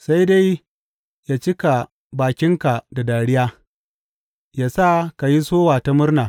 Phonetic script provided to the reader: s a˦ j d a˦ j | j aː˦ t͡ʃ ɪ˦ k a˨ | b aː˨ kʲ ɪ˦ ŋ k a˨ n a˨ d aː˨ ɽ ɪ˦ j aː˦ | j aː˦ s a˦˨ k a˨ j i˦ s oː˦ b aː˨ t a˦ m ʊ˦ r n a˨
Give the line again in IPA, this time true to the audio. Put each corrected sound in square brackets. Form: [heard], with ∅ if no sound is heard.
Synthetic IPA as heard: s a˦ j d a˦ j | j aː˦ t͡ʃ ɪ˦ k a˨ | b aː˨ kʲ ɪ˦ ŋ k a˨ [d] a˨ d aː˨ ɽ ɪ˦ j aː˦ | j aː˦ s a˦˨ k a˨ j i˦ s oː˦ [w] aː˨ t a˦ m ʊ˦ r n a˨